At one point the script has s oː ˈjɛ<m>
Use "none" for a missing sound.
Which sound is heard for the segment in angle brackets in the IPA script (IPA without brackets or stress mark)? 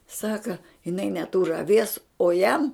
m